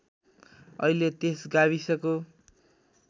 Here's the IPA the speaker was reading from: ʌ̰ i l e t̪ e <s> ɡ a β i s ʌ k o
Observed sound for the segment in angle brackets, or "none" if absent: s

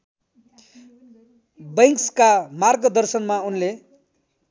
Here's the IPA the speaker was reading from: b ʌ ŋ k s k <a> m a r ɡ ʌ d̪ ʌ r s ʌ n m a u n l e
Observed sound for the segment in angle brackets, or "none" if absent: a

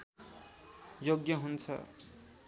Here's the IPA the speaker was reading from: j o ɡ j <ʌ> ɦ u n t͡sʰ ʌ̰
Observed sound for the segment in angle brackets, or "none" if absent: ʌ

